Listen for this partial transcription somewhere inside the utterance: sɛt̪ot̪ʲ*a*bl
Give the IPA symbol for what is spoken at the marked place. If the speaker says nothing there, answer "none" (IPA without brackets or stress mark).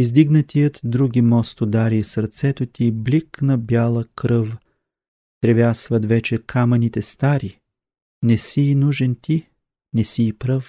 i